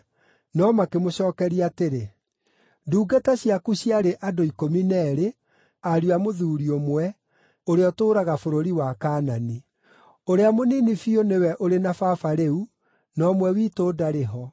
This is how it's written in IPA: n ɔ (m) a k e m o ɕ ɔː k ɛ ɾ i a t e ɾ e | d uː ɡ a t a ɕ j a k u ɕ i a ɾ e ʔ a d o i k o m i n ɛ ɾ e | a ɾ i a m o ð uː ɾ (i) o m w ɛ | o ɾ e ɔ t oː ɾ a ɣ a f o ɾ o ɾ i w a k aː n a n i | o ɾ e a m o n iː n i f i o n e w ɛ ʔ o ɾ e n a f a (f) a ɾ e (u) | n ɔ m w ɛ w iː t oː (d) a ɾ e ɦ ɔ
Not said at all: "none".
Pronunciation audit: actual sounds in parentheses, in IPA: m, i, f, u, d

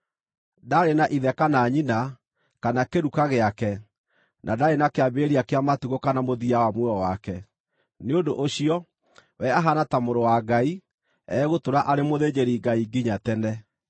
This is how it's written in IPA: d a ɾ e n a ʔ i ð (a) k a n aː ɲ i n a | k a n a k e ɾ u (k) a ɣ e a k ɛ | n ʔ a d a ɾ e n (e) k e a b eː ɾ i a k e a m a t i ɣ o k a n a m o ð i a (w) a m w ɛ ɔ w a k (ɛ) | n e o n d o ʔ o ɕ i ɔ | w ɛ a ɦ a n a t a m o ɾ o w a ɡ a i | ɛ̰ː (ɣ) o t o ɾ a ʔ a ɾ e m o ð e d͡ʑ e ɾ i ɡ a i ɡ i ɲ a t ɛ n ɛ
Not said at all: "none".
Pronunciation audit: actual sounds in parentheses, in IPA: ɛ, k, a, w, ɛ, ɣ

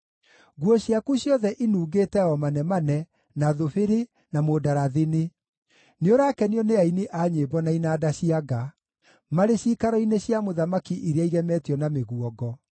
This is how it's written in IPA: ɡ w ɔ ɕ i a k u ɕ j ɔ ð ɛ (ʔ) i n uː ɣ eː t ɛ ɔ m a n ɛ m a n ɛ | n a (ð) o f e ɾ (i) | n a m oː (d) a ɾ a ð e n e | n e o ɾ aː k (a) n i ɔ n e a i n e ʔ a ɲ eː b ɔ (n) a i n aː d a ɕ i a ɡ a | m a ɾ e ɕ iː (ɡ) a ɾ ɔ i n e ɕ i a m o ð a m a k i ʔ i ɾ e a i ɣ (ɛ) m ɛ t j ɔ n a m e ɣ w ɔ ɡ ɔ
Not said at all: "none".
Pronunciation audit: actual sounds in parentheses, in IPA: ʔ, ð, e, d, ɛ, n, k, ɛ

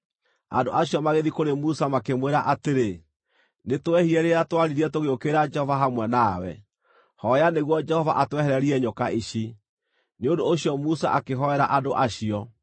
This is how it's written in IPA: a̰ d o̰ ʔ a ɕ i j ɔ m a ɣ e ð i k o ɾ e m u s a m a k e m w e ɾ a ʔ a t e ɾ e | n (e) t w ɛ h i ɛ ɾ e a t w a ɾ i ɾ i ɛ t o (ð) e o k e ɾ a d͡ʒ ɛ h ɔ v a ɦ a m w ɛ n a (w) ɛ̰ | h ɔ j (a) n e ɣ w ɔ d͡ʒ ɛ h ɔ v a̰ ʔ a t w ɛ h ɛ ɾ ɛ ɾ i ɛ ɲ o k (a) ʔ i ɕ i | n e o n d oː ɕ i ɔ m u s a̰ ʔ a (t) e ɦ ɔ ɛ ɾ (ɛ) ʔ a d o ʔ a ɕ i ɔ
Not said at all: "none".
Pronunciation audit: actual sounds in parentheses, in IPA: e, ɣ, w, a, a, k, a

